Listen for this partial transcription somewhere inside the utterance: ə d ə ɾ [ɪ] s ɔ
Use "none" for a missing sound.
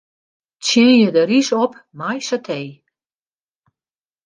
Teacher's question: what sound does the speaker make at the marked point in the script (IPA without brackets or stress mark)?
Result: i